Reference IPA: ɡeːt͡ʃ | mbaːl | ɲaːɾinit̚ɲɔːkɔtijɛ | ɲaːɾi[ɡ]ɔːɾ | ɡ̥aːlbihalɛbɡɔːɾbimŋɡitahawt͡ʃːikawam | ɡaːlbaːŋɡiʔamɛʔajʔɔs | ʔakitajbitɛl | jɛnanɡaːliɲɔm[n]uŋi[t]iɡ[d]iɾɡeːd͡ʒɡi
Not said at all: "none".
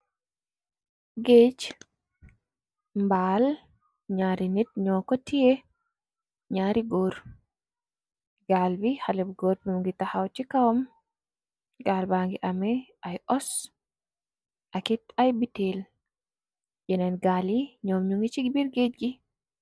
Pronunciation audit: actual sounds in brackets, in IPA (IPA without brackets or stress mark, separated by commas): ɡ, ɲ, t͡ʃ, b